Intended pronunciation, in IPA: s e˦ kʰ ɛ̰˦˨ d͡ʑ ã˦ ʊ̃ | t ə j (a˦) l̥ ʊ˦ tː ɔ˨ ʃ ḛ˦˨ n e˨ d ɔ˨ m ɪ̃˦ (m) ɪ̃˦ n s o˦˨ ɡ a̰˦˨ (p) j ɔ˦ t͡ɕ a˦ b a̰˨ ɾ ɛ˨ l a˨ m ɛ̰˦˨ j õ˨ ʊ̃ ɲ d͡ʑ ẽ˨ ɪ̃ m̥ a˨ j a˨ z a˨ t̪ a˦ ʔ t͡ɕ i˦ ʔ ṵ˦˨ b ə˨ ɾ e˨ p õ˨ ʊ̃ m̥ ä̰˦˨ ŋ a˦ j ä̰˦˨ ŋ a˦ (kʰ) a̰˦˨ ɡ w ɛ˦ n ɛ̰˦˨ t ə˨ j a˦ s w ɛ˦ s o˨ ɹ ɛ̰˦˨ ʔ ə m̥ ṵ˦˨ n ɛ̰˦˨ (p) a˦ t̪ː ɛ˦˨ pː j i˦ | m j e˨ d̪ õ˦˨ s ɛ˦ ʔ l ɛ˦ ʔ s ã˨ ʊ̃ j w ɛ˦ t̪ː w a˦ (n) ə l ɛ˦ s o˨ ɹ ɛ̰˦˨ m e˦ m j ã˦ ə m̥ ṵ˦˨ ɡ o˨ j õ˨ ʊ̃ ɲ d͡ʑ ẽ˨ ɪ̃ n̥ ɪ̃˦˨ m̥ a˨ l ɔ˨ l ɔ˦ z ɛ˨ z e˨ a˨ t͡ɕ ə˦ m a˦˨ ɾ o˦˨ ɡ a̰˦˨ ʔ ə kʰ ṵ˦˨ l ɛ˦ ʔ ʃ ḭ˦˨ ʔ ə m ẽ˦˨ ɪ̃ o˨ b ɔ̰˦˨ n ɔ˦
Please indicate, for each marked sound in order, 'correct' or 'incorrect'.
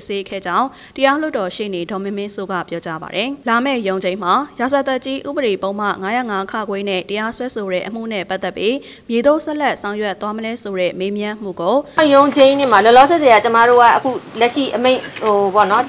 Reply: correct, correct, correct, correct, correct, incorrect

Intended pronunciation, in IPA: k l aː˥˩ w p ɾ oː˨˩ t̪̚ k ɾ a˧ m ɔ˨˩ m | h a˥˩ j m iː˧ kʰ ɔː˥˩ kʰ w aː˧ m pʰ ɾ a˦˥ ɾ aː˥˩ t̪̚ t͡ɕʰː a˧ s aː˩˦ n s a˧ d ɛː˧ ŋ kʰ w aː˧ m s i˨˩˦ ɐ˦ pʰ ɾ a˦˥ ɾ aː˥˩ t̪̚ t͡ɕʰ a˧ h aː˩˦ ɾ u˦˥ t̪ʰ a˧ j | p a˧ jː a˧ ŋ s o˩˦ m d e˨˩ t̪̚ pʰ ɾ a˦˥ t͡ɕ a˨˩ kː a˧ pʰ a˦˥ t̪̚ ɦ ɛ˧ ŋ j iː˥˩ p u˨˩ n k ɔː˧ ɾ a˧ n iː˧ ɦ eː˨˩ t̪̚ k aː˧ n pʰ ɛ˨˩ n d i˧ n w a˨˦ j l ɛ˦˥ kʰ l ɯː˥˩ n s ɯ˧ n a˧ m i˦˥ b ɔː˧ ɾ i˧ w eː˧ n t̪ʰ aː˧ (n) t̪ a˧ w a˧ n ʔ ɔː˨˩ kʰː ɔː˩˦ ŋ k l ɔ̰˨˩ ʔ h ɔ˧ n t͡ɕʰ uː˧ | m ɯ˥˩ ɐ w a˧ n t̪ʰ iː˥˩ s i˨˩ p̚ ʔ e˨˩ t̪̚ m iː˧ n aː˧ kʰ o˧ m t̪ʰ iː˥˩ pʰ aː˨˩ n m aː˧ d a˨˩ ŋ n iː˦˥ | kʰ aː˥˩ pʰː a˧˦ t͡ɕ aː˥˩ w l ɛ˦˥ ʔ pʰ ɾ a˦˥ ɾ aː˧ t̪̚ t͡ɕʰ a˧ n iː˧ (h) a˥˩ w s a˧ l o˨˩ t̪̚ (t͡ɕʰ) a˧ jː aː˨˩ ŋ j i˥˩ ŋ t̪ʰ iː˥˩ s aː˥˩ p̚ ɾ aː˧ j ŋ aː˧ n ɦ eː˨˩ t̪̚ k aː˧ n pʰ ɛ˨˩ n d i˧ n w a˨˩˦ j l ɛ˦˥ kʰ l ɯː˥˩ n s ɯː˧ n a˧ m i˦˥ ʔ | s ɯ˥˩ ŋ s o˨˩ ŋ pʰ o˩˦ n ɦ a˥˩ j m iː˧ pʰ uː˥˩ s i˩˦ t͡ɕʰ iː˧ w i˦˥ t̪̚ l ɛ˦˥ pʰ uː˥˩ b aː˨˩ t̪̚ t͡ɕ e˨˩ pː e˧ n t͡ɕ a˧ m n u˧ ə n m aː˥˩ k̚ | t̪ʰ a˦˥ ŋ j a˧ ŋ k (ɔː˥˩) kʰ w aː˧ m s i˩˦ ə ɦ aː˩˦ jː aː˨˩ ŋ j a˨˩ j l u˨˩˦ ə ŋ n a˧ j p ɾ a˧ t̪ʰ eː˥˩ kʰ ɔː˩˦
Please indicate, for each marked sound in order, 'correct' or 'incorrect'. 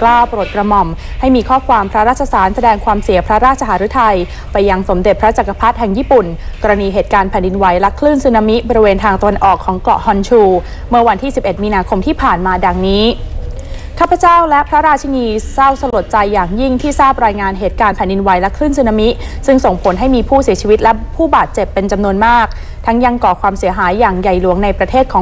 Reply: incorrect, incorrect, incorrect, incorrect

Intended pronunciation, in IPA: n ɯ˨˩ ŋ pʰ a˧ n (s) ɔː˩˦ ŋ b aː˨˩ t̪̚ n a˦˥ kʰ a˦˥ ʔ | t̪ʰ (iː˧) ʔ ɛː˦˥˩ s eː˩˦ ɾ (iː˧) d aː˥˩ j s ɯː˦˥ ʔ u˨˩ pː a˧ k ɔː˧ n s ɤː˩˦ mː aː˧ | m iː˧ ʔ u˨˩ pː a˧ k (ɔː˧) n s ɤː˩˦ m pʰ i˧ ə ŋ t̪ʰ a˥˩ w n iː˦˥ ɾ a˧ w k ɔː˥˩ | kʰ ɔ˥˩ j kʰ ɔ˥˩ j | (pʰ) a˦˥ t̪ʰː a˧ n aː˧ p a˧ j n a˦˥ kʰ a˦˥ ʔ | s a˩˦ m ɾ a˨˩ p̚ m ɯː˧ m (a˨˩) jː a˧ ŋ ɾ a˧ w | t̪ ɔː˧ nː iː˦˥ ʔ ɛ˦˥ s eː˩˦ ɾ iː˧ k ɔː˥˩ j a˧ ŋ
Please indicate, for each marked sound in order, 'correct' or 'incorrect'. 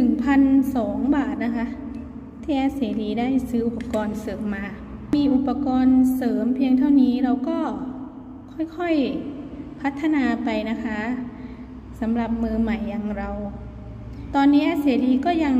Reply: correct, incorrect, correct, correct, correct, correct

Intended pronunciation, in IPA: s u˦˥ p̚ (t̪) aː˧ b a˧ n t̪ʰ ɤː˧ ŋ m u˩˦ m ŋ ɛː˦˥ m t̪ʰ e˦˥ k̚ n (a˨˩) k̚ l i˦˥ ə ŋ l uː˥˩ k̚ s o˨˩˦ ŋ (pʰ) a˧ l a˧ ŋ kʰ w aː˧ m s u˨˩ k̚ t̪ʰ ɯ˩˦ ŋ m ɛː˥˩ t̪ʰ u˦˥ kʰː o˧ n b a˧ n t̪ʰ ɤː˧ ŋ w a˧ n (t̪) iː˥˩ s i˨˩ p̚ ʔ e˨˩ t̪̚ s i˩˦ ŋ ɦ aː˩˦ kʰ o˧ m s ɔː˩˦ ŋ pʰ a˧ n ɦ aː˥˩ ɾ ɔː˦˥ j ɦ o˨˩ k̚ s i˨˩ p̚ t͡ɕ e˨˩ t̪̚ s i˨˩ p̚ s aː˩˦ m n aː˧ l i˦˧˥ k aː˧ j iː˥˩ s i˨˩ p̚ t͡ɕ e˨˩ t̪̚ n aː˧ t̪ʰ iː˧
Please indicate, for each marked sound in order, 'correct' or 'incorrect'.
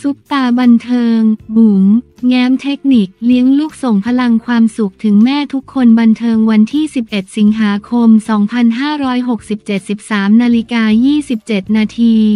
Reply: correct, incorrect, correct, incorrect

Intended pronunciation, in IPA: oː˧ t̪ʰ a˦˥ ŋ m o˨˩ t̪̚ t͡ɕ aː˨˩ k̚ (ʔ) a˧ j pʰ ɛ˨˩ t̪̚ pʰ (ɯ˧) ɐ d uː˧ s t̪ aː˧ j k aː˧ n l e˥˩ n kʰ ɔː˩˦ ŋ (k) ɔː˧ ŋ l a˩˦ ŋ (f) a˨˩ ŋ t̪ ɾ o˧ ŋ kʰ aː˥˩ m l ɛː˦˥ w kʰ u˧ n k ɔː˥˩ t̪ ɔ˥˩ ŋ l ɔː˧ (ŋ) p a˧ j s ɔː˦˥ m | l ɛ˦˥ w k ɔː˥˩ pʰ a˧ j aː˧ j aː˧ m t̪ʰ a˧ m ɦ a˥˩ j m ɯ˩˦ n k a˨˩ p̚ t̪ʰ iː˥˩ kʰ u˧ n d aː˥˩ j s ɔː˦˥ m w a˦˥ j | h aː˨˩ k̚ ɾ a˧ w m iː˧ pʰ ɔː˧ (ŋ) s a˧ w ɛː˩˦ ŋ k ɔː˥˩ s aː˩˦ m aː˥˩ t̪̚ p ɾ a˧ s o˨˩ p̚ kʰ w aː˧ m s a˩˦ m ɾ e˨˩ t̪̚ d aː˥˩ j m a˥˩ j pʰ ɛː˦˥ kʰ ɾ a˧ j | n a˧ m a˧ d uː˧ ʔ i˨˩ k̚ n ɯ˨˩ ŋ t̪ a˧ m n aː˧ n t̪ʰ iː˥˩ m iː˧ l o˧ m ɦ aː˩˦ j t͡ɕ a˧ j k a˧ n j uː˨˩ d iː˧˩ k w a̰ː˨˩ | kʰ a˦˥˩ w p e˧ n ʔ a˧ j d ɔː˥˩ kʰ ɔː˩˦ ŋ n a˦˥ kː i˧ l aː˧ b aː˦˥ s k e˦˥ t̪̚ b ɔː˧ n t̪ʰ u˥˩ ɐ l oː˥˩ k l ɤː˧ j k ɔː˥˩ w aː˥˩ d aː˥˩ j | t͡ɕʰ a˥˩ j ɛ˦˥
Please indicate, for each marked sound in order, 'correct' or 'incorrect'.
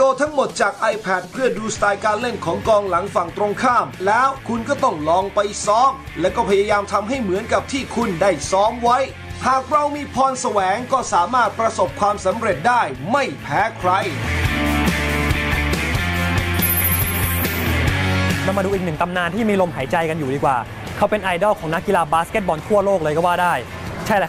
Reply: correct, incorrect, correct, correct, correct, incorrect

